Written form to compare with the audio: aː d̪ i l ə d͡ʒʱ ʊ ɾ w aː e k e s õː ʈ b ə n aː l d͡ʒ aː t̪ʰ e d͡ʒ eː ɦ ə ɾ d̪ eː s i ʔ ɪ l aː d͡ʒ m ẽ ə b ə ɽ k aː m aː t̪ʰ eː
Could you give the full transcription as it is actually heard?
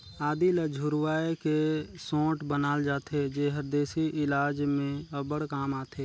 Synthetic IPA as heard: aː d̪ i l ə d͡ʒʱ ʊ ɾ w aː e k e s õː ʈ b ə n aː l d͡ʒ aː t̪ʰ e d͡ʒ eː ɦ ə ɾ d̪ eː s i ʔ ɪ l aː d͡ʒ m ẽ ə b ə ɽ k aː m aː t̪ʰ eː